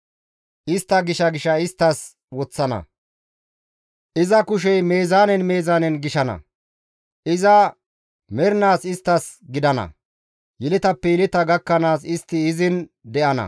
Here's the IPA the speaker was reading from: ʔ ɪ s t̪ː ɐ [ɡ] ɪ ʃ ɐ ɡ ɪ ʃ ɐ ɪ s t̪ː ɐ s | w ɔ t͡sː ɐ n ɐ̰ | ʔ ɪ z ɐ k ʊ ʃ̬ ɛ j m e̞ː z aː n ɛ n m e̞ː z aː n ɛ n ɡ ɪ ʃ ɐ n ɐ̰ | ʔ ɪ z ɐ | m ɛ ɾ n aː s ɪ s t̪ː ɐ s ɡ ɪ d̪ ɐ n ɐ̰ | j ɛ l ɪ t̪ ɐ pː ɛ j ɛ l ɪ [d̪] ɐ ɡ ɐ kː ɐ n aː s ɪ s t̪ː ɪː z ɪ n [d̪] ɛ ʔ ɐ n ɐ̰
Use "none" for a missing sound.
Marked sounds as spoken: ɡ, t̪, d̪

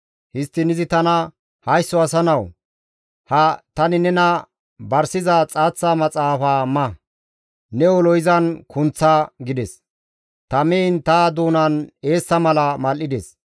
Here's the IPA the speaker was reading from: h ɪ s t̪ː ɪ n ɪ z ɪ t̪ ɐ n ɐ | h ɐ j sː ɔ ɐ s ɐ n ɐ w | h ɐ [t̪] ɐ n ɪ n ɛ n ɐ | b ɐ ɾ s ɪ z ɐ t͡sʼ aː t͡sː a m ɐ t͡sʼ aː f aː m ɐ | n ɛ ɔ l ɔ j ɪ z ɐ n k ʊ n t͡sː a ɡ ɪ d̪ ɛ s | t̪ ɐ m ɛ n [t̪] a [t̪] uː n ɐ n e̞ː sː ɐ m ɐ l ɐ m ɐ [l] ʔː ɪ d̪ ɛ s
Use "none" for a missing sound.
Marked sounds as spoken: t̪, t̪, d̪, l

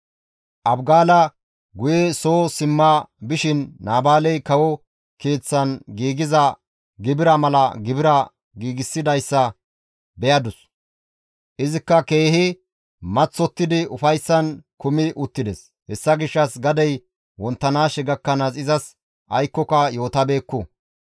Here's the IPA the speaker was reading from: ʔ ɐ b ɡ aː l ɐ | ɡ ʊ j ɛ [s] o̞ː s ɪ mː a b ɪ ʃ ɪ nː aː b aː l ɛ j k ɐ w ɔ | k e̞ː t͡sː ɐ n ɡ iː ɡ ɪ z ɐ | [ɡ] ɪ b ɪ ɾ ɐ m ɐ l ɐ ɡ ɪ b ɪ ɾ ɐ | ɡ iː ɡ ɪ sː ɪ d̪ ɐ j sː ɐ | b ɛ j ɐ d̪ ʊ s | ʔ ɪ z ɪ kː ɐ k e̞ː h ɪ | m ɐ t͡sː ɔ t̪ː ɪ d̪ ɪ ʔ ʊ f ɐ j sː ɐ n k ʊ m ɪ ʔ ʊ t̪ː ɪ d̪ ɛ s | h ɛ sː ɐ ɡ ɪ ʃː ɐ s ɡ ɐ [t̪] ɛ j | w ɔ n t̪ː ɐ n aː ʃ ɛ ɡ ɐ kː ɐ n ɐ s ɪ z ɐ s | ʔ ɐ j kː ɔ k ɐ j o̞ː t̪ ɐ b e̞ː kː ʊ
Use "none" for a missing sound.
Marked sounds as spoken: s, ɡ, d̪

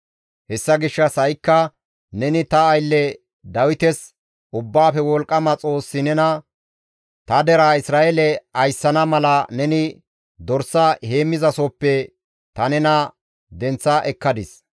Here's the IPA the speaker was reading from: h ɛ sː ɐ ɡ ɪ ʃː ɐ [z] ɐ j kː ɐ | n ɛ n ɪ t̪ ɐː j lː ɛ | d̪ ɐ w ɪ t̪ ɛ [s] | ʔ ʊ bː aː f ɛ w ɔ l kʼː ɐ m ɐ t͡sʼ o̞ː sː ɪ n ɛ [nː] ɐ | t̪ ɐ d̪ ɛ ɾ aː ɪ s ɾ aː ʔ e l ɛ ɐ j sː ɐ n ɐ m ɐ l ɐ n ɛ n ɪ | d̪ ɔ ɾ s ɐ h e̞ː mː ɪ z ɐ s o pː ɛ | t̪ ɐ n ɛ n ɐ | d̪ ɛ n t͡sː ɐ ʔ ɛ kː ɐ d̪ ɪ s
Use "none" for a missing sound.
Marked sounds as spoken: s, s, n

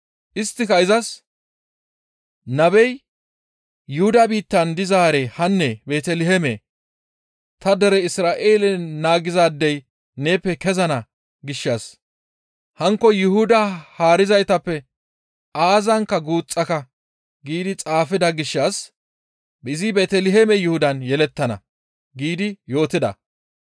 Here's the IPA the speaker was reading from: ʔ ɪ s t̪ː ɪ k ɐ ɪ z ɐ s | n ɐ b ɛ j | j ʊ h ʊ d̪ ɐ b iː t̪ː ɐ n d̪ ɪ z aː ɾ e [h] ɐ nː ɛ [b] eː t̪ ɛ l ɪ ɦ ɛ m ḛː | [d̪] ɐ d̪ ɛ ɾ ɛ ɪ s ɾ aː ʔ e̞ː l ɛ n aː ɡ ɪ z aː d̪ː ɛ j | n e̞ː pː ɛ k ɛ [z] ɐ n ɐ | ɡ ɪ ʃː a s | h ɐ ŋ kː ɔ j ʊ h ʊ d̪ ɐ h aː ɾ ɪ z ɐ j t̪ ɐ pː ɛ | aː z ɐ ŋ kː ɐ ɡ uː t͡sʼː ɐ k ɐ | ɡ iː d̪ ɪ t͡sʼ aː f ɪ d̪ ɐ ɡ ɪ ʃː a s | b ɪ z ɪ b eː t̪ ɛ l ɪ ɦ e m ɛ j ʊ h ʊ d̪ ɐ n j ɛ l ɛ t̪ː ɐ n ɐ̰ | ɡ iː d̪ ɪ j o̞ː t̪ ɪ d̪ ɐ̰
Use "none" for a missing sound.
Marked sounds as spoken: h, b, t̪, z

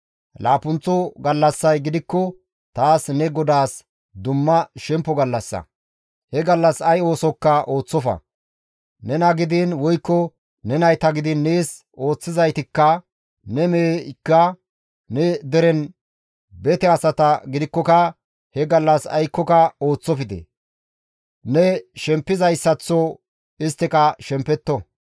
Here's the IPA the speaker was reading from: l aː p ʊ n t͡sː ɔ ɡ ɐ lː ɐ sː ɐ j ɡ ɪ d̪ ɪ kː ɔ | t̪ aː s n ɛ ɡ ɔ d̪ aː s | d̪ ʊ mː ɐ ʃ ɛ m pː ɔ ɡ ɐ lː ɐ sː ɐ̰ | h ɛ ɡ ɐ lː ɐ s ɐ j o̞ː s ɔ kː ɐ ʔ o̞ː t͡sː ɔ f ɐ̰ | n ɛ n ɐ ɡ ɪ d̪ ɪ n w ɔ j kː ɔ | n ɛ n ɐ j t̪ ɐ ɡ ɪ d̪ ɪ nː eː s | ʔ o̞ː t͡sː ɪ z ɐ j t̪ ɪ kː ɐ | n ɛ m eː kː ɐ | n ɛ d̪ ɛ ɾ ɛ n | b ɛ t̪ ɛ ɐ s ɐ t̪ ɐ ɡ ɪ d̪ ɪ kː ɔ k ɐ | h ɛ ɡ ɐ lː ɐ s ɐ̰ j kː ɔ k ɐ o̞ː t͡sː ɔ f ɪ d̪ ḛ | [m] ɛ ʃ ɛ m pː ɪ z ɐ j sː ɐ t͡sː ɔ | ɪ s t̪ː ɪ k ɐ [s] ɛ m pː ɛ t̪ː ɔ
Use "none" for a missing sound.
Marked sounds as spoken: n, ʃ

